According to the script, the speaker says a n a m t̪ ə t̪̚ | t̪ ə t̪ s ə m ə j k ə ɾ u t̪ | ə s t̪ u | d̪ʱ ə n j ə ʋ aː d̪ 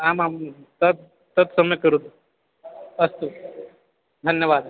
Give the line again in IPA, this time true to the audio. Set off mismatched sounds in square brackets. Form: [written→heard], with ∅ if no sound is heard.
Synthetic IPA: a [n→m] a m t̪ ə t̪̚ | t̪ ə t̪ s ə m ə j k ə ɾ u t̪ | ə s t̪ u | d̪ʱ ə n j ə ʋ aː d̪

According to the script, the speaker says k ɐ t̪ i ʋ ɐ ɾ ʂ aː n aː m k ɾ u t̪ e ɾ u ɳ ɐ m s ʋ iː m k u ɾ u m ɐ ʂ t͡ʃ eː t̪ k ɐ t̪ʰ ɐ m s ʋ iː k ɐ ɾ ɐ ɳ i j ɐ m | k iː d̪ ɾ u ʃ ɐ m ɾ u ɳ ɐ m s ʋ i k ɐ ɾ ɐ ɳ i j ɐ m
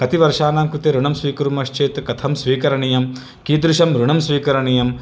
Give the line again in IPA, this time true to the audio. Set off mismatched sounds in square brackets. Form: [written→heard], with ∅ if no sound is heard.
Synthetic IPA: k ɐ t̪ i ʋ ɐ ɾ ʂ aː n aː m k ɾ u t̪ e ɾ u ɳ ɐ m s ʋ iː [m→∅] k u ɾ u m ɐ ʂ t͡ʃ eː t̪ k ɐ t̪ʰ ɐ m s ʋ iː k ɐ ɾ ɐ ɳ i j ɐ m | k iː d̪ ɾ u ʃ ɐ m ɾ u ɳ ɐ m s ʋ [i→iː] k ɐ ɾ ɐ ɳ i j ɐ m

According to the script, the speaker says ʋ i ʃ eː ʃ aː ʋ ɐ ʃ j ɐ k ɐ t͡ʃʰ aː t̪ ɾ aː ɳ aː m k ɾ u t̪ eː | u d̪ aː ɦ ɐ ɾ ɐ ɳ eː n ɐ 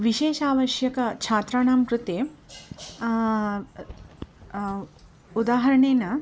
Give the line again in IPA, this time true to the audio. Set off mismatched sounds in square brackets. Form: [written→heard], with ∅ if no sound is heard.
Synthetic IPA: ʋ i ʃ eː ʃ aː ʋ ɐ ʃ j ɐ k ɐ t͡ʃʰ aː t̪ ɾ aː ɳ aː m k ɾ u t̪ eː | u d̪ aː ɦ ɐ ɾ ɐ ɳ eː n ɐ

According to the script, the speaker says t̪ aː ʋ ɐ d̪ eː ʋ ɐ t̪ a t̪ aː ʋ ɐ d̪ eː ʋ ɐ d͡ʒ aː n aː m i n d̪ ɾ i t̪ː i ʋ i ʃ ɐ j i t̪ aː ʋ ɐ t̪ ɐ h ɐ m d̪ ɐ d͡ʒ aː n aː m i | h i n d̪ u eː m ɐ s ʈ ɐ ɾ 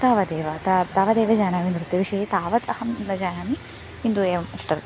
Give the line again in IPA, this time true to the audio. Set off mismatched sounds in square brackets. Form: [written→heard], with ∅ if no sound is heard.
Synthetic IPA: t̪ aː ʋ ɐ d̪ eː ʋ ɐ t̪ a t̪ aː ʋ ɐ d̪ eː ʋ ɐ d͡ʒ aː n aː m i n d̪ ɾ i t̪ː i ʋ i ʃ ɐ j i t̪ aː ʋ ɐ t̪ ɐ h ɐ m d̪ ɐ d͡ʒ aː n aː m i | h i n d̪ u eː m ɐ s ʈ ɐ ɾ

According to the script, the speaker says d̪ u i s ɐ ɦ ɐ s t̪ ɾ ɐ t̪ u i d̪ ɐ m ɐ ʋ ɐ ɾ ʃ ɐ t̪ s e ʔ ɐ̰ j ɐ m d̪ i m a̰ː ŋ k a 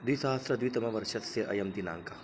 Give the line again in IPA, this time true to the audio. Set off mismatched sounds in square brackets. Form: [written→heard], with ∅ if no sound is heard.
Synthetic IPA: d̪ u i s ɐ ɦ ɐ s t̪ ɾ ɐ [t̪→d̪] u i [d̪→t̪] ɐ m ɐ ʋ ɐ ɾ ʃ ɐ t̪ s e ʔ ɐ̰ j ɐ m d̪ i [m→n] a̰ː ŋ k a

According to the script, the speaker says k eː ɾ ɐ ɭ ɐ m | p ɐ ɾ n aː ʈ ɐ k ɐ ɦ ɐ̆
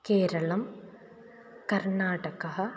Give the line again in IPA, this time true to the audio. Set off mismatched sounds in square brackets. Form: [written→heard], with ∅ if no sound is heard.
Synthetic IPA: k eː ɾ ɐ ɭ ɐ m | [p→k] ɐ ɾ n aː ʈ ɐ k ɐ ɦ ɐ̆

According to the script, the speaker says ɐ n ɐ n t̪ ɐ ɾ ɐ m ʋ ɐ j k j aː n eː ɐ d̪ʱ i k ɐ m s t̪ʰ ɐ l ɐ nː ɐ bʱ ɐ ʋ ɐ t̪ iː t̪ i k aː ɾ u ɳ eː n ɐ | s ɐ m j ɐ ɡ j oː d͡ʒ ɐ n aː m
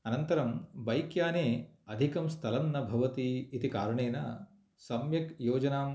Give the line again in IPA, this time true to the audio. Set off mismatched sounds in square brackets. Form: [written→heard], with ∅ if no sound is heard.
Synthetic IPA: ɐ n ɐ n t̪ ɐ ɾ ɐ m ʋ ɐ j k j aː n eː ɐ d̪ʱ i k ɐ m s t̪ʰ ɐ l ɐ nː ɐ bʱ ɐ ʋ ɐ t̪ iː t̪ i k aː ɾ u ɳ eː n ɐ | s ɐ m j ɐ [ɡ→k] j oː d͡ʒ ɐ n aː m

